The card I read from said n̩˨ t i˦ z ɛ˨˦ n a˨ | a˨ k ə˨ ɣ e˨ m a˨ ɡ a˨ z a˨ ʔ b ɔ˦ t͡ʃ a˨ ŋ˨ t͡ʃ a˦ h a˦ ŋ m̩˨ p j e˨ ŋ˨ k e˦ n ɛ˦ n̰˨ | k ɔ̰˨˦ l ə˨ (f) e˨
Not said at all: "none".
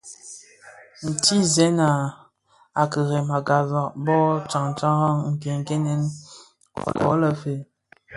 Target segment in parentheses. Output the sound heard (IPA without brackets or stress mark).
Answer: f